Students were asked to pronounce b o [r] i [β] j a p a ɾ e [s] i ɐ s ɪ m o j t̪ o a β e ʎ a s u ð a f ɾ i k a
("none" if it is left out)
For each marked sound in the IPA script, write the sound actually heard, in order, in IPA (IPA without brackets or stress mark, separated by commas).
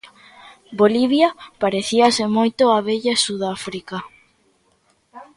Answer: l, β, θ